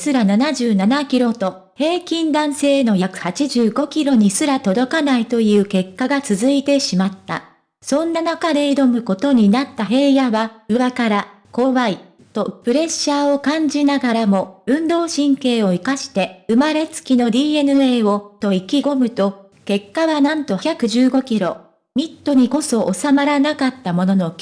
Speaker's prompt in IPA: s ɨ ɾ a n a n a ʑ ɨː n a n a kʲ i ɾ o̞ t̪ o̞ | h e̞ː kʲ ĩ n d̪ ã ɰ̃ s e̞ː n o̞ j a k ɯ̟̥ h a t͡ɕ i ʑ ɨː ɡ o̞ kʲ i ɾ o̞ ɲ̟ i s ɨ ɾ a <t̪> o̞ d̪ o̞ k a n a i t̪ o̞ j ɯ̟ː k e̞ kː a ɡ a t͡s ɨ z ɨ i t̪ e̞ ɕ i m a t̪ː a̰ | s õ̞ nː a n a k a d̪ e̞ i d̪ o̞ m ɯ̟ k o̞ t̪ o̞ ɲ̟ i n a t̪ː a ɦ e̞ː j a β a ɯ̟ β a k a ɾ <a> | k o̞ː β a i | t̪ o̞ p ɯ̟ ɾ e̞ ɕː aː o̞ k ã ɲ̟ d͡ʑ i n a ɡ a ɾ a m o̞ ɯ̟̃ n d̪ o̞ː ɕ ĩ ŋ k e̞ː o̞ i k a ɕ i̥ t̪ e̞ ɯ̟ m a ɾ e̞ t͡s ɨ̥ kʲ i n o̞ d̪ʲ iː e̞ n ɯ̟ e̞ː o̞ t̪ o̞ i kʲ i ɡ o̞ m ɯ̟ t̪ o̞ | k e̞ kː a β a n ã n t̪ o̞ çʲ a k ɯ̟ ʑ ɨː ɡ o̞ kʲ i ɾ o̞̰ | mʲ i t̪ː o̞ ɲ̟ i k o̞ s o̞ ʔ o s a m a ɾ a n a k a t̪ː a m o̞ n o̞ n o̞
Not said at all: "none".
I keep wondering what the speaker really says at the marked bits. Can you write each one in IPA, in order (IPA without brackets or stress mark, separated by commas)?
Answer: t̪, a